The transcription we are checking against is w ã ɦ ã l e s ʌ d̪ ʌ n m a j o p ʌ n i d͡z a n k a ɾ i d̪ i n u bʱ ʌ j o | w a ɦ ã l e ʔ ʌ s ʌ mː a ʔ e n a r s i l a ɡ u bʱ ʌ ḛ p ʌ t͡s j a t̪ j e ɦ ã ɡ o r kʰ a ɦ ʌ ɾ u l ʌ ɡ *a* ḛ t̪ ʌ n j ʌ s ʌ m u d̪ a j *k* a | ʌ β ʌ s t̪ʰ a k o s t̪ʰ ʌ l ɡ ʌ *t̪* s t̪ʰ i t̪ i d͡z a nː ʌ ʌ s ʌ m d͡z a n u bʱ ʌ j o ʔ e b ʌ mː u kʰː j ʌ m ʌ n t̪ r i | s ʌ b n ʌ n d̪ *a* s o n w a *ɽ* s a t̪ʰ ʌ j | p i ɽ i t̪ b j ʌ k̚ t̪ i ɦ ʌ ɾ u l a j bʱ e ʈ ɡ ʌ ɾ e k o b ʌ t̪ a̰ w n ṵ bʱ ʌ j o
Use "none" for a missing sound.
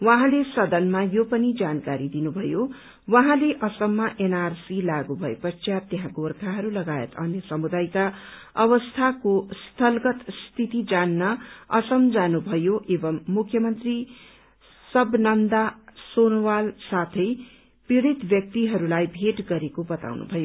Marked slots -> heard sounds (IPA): a, k, t̪, a, l

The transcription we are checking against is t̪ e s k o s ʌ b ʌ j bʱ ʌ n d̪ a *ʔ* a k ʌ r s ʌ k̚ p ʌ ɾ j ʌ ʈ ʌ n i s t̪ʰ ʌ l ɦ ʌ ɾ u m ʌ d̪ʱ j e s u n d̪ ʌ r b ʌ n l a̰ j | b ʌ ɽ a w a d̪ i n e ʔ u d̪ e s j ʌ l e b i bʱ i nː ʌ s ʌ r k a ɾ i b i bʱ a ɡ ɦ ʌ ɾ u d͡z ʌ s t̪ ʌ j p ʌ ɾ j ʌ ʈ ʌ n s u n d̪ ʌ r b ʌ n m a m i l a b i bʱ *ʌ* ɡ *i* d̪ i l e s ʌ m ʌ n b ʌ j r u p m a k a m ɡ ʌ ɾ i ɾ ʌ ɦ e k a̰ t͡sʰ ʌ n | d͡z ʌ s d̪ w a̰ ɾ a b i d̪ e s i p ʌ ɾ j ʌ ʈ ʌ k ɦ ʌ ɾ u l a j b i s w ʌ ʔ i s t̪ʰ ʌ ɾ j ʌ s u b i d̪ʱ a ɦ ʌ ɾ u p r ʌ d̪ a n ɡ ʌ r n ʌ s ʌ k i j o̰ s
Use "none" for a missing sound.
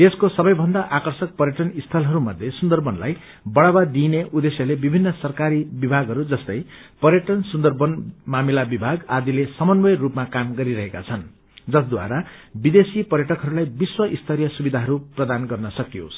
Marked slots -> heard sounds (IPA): ʔ, a, a

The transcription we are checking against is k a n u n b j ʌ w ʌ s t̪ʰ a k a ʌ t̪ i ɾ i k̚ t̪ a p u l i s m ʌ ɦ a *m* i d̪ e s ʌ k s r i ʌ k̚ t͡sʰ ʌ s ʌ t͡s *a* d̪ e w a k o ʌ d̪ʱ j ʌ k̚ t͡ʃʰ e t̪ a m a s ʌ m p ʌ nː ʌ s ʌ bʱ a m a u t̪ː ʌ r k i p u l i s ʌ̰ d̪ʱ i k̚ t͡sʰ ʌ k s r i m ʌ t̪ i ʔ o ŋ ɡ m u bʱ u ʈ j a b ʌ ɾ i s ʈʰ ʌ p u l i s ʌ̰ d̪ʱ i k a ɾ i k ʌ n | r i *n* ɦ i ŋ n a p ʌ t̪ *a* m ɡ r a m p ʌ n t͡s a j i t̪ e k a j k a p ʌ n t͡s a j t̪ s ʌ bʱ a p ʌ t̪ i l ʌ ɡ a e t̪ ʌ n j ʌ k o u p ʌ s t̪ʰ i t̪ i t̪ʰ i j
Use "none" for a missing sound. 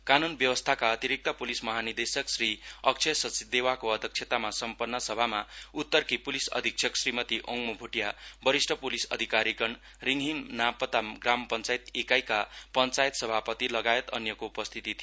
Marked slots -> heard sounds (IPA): n, i, ŋ, a

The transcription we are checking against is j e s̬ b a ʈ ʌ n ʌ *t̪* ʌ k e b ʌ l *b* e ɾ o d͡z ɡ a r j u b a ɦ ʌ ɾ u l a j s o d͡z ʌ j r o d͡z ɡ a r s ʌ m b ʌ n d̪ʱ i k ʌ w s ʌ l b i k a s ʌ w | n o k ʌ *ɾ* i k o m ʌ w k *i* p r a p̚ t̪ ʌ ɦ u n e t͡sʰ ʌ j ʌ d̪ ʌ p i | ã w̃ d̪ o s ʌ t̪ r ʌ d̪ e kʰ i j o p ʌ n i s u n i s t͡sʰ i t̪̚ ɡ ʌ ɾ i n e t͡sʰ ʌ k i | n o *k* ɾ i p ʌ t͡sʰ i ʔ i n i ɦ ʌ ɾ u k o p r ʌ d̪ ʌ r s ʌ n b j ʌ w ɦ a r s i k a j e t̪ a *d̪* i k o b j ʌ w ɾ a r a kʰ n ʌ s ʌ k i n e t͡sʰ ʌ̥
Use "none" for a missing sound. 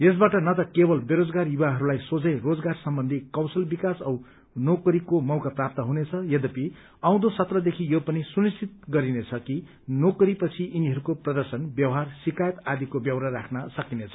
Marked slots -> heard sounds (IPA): t̪, b, ɾ, a, k, d̪

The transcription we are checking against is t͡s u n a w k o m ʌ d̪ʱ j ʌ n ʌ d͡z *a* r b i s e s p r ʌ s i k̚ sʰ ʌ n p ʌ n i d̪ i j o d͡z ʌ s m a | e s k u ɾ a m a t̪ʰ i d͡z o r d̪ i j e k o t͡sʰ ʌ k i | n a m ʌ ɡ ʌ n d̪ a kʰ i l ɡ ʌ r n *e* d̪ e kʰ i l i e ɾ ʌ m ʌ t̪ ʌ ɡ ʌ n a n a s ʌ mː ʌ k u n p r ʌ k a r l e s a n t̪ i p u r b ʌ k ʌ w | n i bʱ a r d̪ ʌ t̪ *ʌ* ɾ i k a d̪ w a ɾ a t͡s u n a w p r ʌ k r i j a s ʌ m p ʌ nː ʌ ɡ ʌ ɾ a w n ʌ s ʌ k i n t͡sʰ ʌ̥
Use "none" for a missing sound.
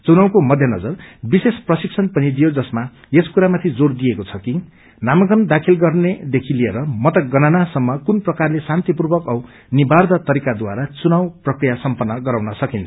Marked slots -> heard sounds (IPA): ʌ, e, ʌ

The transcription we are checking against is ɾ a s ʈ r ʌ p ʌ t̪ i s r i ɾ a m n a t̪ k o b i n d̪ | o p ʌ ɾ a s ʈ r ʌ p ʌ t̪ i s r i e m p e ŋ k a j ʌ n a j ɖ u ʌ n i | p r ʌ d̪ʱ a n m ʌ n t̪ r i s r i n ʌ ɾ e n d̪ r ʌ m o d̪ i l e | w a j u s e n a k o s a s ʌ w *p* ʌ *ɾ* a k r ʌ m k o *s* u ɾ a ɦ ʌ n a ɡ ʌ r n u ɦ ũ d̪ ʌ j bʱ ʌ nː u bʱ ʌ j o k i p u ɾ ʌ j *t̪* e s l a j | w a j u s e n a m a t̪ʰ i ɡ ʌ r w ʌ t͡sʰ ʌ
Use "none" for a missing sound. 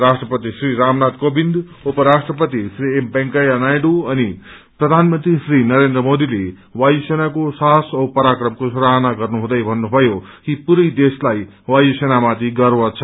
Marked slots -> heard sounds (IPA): p, ɾ, s, d̪

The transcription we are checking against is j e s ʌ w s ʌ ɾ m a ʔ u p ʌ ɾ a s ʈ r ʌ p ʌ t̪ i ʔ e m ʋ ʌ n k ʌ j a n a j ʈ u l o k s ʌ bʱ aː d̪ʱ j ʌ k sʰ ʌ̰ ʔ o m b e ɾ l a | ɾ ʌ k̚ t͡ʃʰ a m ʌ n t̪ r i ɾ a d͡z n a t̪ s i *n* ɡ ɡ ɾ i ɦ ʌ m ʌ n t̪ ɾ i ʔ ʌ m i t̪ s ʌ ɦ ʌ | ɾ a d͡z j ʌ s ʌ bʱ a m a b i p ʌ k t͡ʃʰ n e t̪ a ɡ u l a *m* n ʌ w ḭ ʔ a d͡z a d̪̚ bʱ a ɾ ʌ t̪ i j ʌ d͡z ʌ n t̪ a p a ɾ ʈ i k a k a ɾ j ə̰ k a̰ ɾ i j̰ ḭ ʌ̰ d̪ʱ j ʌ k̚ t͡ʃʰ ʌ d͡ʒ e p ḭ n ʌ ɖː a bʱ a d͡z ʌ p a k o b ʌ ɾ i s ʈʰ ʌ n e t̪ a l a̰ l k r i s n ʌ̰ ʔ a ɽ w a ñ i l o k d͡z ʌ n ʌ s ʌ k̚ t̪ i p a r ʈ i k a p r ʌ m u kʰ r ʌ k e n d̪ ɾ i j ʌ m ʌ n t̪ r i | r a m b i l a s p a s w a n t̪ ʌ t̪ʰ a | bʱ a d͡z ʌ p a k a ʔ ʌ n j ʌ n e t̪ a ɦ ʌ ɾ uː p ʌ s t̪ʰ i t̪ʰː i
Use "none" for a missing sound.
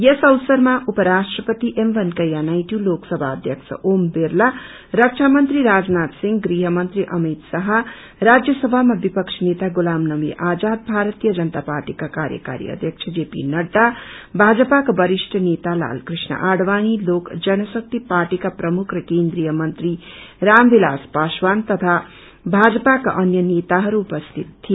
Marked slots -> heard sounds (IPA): ŋ, m

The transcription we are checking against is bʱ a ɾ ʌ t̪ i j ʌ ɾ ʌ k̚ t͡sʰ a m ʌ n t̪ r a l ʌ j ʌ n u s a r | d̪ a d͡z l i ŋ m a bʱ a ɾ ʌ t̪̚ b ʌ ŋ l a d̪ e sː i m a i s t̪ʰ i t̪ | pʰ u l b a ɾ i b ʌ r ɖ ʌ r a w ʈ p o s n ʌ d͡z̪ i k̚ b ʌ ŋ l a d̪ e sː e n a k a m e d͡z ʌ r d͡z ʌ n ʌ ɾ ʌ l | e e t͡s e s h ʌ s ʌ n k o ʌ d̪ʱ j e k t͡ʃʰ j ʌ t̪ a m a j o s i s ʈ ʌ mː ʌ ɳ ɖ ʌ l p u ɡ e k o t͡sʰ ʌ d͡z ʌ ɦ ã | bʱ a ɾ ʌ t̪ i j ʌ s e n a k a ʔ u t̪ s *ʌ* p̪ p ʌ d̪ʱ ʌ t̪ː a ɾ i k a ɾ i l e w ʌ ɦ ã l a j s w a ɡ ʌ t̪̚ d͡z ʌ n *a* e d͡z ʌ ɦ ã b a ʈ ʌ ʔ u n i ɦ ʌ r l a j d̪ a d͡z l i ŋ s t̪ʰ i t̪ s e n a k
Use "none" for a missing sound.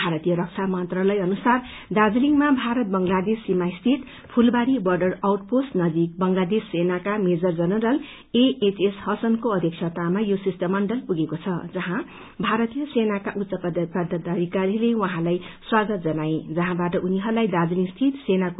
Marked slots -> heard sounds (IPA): ʌ, a

